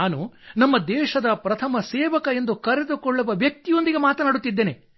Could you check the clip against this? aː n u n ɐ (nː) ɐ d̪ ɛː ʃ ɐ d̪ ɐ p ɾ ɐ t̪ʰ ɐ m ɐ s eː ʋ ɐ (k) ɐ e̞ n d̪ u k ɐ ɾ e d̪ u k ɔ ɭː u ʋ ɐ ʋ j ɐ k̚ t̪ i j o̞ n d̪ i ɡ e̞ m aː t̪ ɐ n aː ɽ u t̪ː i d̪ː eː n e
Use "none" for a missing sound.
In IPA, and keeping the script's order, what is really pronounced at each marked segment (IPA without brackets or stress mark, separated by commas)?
mː, k